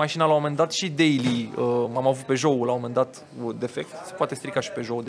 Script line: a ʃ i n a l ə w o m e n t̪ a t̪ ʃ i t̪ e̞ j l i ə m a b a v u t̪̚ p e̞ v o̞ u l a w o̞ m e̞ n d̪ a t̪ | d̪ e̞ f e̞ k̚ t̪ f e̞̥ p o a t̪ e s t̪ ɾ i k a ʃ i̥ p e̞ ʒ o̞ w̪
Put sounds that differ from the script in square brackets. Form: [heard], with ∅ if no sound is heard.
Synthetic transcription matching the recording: a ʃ i n a l [a] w o m e n [d̪] a t̪ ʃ i [d̪] e̞ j l i ə m a [m] a v u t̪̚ p e̞ [ʒ] o̞ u l a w o̞ m e̞ n d̪ a t̪ | d̪ e̞ f e̞ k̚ t̪ [s] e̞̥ p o a t̪ e s t̪ ɾ i k a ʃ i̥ p e̞ ʒ o̞ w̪